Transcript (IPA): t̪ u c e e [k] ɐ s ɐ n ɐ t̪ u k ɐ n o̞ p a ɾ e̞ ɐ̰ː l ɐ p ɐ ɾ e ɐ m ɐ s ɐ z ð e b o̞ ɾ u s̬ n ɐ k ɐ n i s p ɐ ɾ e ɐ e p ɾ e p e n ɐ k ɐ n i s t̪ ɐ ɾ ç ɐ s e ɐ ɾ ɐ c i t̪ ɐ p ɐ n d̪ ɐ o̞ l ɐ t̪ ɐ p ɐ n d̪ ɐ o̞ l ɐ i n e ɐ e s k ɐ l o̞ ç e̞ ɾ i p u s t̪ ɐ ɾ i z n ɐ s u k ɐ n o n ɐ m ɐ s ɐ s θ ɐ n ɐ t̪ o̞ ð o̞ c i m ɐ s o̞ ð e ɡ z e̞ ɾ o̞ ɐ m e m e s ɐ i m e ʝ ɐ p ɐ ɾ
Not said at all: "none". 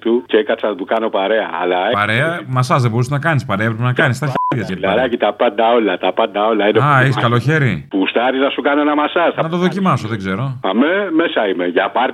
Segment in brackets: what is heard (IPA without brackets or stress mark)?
k